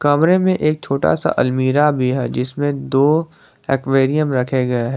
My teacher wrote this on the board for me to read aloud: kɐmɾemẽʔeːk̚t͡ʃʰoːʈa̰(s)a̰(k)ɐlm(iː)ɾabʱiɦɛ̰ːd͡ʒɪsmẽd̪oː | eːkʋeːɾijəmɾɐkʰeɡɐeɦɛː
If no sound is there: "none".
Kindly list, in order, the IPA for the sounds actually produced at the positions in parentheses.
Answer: s, ʔ, iː

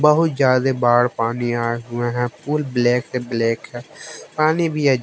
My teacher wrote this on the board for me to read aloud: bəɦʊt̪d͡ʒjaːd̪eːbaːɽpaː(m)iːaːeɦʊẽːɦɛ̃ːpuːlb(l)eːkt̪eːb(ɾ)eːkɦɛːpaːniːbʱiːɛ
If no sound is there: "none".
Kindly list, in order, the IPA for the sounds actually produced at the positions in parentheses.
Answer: n, l, l

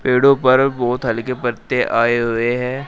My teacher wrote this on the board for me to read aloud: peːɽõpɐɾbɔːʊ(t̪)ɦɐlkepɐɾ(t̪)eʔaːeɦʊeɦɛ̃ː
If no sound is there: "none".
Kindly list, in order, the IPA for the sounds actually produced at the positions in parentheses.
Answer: t̪, t̪

